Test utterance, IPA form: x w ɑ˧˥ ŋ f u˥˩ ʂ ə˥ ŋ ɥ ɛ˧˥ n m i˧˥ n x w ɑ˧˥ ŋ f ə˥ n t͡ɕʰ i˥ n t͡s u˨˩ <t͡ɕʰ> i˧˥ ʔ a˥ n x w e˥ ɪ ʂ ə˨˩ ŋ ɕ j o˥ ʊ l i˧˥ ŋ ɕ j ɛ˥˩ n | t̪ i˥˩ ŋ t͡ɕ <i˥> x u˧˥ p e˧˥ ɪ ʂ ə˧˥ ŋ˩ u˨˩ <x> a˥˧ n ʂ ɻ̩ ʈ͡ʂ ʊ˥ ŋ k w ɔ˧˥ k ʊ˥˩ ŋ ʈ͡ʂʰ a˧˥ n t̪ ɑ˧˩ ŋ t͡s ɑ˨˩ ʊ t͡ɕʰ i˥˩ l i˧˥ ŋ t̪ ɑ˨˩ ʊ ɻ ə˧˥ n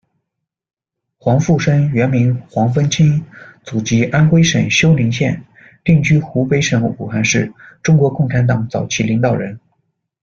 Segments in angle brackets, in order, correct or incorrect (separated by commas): incorrect, incorrect, correct